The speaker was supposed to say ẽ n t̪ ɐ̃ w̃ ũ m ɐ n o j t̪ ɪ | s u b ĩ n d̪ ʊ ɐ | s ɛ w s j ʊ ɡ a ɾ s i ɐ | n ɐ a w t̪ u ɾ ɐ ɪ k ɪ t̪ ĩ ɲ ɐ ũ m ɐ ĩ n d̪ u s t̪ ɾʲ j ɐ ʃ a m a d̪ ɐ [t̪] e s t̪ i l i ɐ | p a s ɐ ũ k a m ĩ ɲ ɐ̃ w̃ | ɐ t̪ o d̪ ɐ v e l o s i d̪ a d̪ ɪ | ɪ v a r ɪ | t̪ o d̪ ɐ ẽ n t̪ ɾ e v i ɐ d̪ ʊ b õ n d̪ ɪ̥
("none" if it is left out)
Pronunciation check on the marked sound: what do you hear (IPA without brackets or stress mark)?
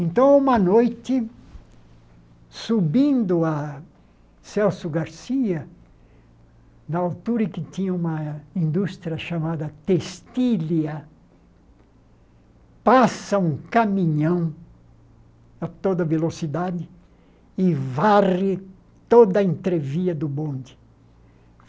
t̪